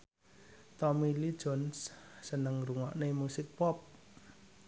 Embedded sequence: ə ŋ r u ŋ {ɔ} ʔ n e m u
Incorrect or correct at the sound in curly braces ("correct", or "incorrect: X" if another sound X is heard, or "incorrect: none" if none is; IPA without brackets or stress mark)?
correct